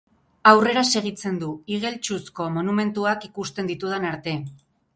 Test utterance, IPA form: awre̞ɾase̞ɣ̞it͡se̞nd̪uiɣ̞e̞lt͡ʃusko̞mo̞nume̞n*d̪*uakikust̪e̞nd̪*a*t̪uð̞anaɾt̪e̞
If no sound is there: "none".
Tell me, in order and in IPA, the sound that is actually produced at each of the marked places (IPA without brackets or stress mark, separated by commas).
t̪, i